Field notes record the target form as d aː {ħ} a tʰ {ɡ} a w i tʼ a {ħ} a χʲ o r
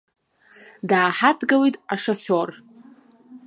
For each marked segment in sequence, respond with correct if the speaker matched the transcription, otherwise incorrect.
correct, correct, incorrect

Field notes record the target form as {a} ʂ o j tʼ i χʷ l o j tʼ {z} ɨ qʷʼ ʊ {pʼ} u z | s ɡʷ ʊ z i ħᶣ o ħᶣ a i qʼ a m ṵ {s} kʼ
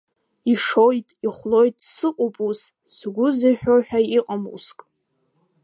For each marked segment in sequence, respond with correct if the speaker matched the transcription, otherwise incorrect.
incorrect, incorrect, correct, correct

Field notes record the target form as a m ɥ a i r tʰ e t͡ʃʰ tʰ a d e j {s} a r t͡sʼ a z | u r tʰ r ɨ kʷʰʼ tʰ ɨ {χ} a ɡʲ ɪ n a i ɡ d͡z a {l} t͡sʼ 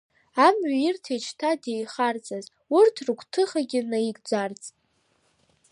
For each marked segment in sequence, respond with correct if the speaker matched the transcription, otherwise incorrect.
incorrect, correct, incorrect

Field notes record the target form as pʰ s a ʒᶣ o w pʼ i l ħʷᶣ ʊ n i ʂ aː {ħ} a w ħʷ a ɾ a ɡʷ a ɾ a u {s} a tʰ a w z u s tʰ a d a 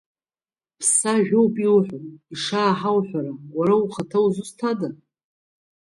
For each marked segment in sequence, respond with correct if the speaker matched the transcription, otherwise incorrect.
correct, incorrect

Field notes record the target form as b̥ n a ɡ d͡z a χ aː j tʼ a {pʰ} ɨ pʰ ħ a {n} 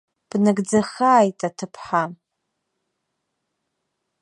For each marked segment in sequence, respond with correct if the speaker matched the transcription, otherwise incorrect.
incorrect, incorrect

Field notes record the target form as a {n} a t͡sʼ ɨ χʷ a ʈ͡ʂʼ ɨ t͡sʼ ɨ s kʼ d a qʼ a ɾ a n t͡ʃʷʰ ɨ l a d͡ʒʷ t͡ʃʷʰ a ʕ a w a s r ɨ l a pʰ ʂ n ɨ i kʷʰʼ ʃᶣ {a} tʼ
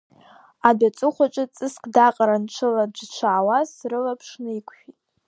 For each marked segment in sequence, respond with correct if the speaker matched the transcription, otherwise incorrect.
incorrect, incorrect

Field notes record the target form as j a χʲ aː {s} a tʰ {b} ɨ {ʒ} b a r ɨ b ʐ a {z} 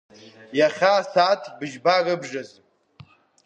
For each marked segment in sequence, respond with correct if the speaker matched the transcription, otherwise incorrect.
correct, correct, correct, correct

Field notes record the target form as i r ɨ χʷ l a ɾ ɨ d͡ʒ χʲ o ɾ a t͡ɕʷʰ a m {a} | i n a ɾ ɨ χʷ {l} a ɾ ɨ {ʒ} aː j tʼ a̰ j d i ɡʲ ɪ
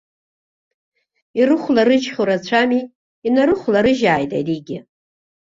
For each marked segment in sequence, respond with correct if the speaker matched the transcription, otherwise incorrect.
incorrect, correct, correct

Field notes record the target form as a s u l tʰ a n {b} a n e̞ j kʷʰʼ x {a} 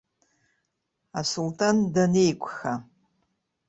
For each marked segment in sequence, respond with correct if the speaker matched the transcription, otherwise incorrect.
incorrect, correct

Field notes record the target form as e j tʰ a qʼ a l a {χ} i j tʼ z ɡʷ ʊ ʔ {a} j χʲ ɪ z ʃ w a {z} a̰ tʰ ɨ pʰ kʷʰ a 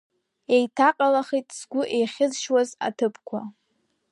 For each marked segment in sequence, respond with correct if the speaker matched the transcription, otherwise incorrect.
correct, incorrect, correct

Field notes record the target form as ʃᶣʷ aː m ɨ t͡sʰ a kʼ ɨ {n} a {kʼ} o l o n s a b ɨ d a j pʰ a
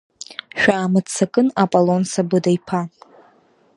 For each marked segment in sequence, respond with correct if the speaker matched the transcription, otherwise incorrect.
correct, incorrect

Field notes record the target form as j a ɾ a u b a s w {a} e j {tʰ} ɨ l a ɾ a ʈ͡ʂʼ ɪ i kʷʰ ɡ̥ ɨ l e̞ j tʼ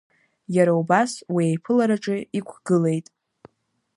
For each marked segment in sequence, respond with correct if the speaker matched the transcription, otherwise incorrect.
incorrect, incorrect

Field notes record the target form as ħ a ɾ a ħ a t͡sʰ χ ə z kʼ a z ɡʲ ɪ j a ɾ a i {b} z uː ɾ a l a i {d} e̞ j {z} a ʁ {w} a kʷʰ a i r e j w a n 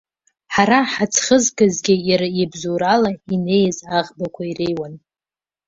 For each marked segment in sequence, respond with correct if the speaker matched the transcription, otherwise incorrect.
correct, incorrect, correct, incorrect

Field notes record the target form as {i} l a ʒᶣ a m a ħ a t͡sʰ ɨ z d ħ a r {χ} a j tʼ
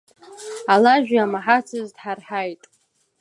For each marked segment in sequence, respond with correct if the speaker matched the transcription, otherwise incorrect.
incorrect, incorrect

